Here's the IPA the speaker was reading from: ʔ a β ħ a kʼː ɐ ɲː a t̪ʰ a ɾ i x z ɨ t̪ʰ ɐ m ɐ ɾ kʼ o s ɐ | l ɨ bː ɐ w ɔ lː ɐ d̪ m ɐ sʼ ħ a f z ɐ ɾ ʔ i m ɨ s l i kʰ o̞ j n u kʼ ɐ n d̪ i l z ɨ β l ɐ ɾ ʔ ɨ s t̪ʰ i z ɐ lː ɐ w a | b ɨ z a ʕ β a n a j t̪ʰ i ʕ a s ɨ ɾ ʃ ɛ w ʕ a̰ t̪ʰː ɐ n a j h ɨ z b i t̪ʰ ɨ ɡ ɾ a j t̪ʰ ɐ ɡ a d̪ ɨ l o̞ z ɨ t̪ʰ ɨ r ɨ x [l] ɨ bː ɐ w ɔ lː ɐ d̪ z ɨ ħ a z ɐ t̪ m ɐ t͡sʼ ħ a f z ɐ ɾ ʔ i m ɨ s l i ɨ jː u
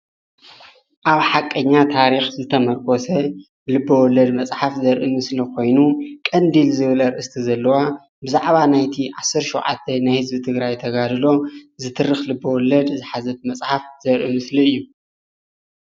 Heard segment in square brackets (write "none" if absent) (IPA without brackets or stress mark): l